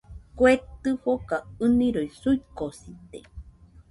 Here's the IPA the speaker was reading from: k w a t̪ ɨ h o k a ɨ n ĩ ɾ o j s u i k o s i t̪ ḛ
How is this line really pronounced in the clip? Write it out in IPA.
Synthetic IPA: k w e t̪ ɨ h o k a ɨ n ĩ ɾ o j s u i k o s i t̪ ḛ